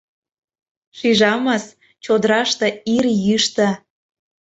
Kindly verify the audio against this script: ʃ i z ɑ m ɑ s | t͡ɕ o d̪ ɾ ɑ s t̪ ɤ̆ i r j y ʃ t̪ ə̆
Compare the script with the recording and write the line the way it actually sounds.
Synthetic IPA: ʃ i ʒ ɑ m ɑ s | t͡ɕ o d̪ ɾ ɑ ʃ t̪ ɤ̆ i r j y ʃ t̪ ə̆